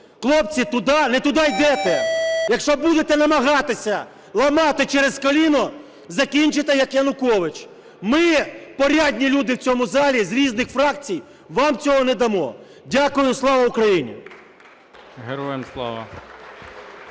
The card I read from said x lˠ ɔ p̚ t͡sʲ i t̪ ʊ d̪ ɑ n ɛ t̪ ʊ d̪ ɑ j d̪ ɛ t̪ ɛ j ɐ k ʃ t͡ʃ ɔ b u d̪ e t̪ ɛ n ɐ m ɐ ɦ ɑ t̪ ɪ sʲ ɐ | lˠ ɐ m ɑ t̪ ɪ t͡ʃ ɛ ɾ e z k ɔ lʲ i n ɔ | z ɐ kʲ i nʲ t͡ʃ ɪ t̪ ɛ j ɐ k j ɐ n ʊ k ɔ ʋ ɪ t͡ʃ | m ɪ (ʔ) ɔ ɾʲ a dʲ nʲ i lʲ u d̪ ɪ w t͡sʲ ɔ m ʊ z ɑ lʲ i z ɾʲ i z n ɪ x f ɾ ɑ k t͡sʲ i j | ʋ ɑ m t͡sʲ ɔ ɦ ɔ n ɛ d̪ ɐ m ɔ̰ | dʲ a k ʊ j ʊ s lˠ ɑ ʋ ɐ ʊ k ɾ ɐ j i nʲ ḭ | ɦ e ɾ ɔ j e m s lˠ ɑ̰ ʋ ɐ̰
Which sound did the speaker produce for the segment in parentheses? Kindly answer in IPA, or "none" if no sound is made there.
p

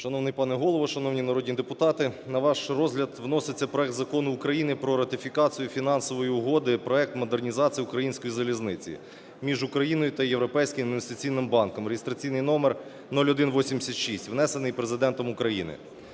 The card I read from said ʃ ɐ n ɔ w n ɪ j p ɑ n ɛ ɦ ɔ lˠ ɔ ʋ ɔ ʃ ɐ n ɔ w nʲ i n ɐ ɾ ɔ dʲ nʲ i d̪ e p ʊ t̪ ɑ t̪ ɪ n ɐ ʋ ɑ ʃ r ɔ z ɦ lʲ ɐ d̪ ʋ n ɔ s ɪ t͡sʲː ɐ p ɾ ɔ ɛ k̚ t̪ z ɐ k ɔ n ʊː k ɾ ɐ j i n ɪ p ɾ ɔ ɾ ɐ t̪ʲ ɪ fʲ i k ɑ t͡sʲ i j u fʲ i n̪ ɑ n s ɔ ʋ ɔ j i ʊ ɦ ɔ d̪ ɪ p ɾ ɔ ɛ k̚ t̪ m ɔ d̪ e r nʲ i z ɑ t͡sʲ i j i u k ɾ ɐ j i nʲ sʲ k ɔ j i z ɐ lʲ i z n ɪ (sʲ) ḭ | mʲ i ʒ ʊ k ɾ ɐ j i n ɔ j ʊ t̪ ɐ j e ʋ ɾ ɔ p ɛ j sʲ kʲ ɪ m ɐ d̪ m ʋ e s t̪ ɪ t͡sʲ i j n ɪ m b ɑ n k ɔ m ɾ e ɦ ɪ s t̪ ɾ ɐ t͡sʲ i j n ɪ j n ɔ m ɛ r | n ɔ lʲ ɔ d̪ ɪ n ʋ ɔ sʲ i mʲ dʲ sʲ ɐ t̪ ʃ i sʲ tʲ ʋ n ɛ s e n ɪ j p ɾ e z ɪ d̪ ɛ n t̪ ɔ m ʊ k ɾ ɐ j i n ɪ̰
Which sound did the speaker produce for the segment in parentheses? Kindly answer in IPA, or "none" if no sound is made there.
t͡sʲ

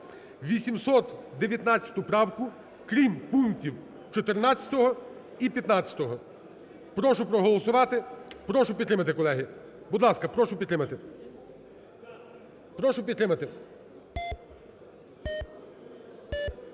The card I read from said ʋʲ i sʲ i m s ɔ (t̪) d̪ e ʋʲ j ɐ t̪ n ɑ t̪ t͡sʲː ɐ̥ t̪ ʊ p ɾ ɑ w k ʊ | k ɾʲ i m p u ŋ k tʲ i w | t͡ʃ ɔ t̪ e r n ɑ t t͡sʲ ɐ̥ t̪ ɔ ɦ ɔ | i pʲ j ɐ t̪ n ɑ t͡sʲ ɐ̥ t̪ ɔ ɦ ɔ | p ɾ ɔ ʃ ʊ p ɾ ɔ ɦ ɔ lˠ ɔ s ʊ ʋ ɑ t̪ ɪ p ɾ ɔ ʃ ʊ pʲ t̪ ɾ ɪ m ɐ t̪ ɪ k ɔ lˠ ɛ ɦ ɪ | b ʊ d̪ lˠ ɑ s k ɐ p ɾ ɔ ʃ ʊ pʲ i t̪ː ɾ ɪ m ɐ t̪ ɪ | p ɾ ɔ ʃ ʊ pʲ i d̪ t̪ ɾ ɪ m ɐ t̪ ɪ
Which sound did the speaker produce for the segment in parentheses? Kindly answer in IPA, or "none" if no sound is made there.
t̪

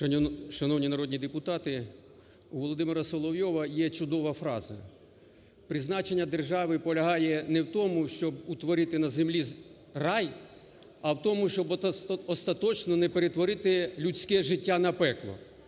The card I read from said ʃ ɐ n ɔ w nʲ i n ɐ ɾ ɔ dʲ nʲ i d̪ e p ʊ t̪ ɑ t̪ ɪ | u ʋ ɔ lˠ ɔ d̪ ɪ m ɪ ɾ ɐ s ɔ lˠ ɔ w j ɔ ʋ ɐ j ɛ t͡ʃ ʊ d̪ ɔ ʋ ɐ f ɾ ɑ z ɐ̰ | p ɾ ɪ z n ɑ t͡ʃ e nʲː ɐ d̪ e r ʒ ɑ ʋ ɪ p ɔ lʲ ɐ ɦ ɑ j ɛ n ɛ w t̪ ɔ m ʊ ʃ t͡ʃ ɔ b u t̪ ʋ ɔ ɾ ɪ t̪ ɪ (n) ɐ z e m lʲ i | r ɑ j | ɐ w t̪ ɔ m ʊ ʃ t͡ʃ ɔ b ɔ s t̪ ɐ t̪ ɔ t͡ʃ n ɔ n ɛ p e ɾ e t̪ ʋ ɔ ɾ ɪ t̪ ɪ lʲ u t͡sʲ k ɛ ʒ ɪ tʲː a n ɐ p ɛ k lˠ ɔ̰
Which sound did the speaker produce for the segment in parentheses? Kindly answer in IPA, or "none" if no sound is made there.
n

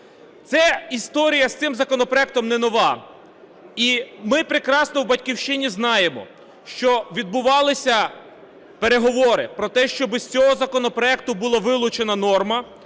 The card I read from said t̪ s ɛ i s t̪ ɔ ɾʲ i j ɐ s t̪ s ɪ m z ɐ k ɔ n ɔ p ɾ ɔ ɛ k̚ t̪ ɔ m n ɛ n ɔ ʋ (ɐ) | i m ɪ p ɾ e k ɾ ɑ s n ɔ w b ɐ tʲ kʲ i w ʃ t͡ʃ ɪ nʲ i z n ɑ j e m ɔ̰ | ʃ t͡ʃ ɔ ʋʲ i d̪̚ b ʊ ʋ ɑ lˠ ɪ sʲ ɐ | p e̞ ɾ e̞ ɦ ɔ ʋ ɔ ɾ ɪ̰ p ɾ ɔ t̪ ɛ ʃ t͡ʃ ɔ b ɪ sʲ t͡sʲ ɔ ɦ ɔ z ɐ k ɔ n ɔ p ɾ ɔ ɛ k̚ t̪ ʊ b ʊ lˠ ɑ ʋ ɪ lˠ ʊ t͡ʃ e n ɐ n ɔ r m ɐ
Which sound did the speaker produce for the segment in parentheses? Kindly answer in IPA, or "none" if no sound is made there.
ɑ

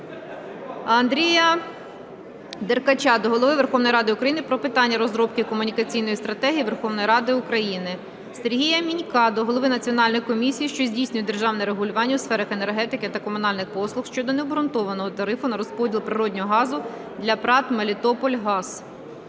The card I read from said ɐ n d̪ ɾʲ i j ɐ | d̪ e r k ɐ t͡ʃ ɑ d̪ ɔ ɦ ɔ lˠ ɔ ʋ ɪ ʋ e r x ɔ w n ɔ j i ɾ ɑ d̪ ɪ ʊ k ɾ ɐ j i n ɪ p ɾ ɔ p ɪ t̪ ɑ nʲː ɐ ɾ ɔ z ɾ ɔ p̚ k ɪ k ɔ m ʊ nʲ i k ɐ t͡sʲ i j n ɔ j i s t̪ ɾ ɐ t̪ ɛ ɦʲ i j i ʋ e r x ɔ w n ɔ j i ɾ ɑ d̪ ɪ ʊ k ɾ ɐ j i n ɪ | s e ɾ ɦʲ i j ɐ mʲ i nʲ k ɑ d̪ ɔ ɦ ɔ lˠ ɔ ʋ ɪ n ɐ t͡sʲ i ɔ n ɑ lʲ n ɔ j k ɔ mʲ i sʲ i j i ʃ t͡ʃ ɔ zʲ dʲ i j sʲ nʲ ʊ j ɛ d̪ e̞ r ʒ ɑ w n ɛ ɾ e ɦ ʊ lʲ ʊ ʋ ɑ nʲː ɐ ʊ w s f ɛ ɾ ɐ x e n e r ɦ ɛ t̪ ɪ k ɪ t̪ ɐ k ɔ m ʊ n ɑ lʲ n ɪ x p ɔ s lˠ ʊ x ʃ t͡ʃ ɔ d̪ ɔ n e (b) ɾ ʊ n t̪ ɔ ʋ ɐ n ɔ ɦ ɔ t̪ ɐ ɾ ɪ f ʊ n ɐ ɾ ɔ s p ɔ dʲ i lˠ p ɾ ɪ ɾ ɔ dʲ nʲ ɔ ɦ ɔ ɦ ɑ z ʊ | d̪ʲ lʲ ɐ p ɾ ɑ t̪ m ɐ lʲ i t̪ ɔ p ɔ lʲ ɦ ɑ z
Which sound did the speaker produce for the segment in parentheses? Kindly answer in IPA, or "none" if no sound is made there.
b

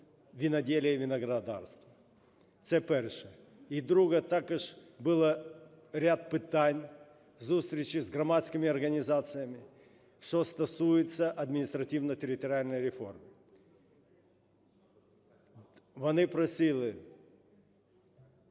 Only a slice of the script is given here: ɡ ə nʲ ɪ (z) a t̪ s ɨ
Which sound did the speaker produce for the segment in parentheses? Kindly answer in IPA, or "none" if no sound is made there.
z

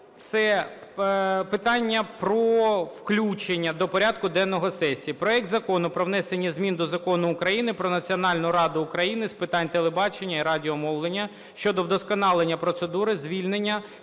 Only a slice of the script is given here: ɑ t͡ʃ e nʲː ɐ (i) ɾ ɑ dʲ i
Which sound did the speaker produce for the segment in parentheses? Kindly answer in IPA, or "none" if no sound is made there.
i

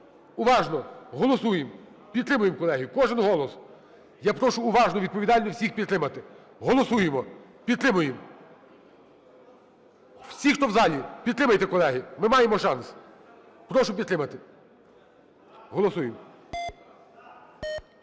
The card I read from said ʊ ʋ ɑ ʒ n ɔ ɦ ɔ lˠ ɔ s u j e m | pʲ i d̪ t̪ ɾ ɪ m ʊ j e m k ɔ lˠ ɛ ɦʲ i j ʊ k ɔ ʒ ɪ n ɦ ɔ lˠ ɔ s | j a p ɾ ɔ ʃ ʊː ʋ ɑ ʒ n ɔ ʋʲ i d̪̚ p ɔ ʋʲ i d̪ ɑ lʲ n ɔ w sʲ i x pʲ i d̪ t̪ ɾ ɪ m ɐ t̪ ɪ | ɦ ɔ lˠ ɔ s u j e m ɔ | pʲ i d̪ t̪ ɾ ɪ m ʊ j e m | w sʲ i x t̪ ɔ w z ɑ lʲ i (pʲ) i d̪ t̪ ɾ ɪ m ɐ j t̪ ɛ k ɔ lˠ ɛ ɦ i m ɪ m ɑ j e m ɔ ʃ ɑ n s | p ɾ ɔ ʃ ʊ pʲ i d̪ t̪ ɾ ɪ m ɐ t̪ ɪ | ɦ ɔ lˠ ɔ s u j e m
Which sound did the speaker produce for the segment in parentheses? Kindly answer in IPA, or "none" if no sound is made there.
pʲ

